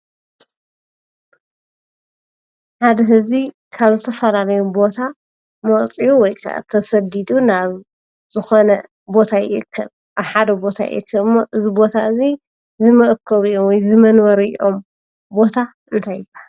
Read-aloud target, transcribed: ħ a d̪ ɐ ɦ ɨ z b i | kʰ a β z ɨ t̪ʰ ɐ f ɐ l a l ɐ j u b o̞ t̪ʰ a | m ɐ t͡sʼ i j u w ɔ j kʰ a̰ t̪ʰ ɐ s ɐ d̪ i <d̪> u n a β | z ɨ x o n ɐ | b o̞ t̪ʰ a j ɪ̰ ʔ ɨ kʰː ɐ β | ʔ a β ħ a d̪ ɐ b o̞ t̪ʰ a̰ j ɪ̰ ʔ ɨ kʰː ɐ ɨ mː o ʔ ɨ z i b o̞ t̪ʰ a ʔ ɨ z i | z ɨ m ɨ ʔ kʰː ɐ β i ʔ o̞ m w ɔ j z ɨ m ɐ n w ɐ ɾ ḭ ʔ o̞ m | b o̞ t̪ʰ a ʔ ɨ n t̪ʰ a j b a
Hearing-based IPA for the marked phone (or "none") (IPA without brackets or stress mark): d̪